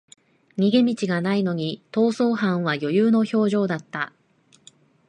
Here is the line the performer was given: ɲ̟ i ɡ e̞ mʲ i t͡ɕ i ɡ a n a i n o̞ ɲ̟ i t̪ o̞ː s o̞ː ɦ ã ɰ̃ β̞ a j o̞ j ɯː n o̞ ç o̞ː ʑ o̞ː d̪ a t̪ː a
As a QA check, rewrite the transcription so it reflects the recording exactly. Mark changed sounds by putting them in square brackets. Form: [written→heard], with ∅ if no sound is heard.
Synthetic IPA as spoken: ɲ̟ i ɡ e̞ mʲ i t͡ɕ i ɡ a n a i n o̞ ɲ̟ i t̪ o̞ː s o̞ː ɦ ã ɰ̃ β̞ a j o̞ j ɯː n o̞ ç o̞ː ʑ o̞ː d̪ a t̪ː a